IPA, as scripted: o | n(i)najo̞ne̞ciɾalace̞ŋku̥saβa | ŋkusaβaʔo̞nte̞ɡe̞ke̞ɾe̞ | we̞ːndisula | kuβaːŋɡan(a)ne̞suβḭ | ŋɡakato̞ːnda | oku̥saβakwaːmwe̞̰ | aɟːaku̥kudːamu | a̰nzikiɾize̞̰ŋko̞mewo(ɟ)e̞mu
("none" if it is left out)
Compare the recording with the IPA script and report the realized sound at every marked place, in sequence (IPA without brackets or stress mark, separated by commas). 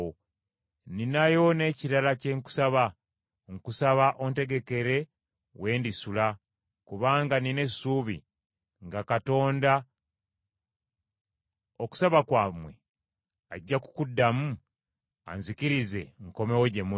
i, i, ɟ